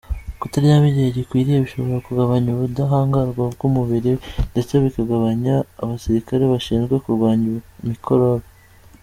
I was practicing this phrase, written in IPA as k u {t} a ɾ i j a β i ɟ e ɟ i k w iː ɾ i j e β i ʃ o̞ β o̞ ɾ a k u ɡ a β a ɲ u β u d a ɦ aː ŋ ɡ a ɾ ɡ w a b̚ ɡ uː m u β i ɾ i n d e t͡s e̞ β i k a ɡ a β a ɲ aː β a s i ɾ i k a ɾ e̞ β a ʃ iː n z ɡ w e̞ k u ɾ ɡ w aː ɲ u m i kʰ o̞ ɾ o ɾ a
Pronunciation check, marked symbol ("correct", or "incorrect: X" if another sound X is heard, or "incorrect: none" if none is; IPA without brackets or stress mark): correct